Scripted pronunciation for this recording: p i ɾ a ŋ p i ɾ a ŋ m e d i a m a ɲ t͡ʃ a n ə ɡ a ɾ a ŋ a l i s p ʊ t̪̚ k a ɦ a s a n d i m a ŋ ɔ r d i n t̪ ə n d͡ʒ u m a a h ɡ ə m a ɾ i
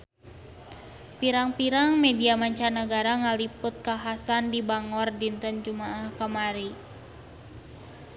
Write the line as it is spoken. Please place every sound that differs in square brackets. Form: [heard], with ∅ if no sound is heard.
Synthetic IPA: p i ɾ a ŋ p i ɾ a ŋ m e d i a m a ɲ t͡ʃ a n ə ɡ a ɾ a ŋ a l i [∅] p ʊ t̪̚ k a ɦ a s a n d i [b] a ŋ ɔ r d i n t̪ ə n d͡ʒ u m a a h [k] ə m a ɾ i